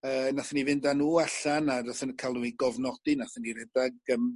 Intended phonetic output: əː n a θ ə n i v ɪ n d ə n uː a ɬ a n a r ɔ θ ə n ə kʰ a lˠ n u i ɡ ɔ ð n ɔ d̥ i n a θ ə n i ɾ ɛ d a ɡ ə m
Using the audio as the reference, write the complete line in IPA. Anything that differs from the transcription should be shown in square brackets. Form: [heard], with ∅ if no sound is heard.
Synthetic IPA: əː n a θ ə n i v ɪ n d [a] n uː a ɬ a n a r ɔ θ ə n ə kʰ a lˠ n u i ɡ ɔ [v] n ɔ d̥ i n a θ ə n i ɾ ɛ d a ɡ ə m